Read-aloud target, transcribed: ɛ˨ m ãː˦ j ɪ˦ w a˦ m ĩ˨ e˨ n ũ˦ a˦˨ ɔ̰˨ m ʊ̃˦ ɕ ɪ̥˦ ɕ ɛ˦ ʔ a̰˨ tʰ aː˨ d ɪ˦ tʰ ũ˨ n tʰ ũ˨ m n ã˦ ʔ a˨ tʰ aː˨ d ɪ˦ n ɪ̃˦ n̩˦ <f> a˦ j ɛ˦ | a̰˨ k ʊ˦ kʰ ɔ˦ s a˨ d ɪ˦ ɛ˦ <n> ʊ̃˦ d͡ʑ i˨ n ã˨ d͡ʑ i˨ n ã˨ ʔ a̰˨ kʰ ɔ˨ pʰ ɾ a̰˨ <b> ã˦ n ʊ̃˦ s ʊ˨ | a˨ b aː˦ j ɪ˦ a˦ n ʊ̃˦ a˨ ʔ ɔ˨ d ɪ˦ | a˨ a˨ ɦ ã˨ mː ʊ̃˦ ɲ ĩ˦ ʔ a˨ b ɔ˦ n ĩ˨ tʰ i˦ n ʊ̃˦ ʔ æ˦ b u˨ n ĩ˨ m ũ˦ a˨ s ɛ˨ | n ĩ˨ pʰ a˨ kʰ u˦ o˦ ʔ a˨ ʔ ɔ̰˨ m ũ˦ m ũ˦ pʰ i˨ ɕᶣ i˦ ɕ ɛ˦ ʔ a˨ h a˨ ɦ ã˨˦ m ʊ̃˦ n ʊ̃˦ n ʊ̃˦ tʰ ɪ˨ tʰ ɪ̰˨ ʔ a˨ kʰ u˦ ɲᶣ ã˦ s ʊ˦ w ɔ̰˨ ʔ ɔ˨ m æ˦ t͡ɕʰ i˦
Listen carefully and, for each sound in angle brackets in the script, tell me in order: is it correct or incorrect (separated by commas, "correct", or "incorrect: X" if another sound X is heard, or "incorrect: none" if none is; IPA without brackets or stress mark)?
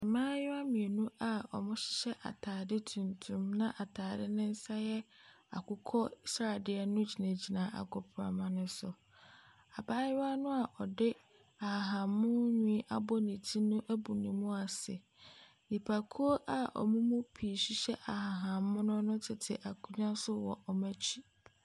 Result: incorrect: s, correct, incorrect: m